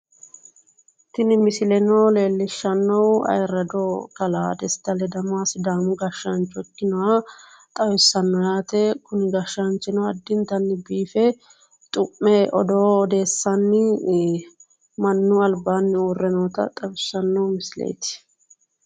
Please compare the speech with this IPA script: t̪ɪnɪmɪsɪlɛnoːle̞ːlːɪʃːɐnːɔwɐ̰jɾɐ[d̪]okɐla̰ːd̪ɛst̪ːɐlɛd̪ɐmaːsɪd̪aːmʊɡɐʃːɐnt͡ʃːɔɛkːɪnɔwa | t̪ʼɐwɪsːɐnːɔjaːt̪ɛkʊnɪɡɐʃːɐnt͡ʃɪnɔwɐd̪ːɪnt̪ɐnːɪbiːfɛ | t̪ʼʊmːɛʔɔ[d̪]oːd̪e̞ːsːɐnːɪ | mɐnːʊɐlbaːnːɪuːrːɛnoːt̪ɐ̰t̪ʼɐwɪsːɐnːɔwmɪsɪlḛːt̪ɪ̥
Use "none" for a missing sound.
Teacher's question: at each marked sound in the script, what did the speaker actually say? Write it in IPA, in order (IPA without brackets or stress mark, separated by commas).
d̪, d̪